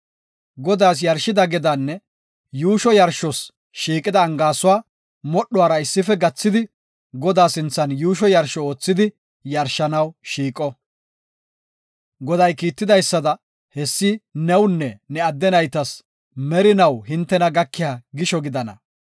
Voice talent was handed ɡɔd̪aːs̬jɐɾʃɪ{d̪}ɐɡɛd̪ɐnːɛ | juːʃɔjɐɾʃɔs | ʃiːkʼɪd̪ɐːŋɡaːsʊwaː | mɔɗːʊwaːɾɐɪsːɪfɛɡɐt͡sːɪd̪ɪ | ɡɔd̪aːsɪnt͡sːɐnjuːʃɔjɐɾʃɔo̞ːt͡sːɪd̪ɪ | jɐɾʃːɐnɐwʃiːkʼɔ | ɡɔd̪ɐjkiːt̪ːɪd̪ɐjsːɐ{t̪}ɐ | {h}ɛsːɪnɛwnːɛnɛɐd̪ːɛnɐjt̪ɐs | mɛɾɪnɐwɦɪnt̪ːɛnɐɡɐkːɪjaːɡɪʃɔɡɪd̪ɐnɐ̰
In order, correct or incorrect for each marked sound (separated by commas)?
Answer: correct, incorrect, correct